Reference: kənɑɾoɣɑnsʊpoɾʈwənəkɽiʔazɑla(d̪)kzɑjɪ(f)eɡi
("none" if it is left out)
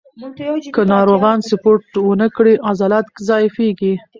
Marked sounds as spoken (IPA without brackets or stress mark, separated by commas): t̪, f